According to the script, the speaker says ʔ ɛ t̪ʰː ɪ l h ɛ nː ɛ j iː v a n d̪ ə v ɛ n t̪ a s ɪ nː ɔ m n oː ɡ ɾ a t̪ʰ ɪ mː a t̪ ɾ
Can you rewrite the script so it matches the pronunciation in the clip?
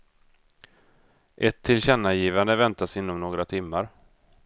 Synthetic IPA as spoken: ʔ ɛ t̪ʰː ɪ l ɕ ɛ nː a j iː v a n d̪ ə v ɛ n t̪ a s ɪ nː ɔ m n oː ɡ ɾ a t̪ʰ ɪ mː a ɾ